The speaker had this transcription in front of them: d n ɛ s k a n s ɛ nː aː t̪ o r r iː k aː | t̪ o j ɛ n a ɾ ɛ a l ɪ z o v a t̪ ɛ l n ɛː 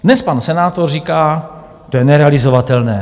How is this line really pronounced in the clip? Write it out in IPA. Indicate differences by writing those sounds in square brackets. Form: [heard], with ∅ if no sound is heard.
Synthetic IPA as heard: d n ɛ s [p] a n s ɛ [n] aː t̪ o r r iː k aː | t̪ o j ɛ n [ɛ] ɾ ɛ a l ɪ z o v a t̪ ɛ l n ɛː